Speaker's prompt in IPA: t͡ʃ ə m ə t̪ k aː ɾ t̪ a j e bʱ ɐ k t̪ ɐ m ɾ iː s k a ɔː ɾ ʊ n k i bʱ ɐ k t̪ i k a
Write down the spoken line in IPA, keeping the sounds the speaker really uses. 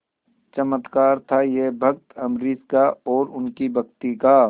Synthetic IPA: t͡ʃ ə m ə t̪ k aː ɾ t̪ʰ a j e bʱ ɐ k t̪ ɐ m ɾ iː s k a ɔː ɾ ʊ n k i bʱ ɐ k t̪ i k a